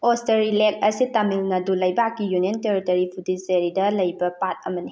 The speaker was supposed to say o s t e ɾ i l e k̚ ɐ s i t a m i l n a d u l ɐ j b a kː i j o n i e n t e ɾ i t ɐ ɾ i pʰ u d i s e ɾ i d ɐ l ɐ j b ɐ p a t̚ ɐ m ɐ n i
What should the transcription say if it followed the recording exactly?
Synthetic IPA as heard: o s t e ɾ i l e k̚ ɐ s i t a m i l n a d u l ɐ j b a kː i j u n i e n t e ɾ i t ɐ ɾ i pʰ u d i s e ɾ i d ɐ l ɐ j b ɐ p a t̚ ɐ m ɐ n i